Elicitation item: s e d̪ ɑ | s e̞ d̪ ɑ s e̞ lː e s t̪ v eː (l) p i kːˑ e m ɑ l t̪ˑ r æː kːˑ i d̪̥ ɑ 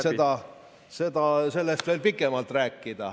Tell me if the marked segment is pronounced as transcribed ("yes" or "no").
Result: yes